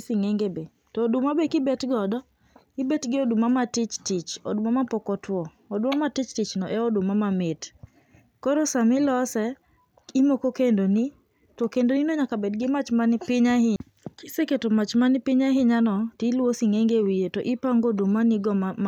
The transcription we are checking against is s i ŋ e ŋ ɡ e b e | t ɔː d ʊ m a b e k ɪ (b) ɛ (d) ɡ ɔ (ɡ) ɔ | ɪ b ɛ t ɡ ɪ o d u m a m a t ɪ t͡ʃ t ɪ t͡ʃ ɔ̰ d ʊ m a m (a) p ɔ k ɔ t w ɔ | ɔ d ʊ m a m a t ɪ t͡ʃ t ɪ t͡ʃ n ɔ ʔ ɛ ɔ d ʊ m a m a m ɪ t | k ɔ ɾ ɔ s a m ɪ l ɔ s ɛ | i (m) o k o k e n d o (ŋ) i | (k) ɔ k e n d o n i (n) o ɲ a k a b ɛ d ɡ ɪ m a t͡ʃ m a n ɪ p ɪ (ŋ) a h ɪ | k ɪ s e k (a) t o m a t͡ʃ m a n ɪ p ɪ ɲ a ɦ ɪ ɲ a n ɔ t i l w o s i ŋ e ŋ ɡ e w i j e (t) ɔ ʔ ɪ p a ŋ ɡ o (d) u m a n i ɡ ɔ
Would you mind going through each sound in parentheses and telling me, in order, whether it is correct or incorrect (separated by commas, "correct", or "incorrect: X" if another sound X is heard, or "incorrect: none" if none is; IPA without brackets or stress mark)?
correct, incorrect: t, incorrect: d, correct, correct, incorrect: n, incorrect: t, correct, incorrect: ɲ, incorrect: e, correct, correct